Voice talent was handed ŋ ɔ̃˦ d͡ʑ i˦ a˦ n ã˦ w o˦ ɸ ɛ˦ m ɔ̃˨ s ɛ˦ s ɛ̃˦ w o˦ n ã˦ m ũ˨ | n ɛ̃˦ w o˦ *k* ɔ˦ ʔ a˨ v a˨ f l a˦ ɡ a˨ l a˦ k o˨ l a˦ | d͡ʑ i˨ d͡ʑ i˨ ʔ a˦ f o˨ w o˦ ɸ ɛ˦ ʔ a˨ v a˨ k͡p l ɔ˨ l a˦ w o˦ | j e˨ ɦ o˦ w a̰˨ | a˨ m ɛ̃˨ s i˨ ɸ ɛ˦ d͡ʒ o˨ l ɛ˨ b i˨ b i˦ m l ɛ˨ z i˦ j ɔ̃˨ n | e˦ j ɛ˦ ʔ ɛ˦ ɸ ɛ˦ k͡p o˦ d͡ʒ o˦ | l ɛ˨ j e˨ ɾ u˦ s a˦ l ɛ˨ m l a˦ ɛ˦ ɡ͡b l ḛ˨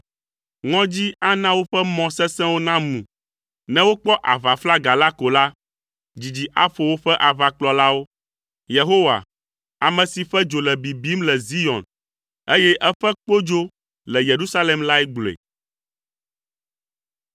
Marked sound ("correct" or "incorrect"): incorrect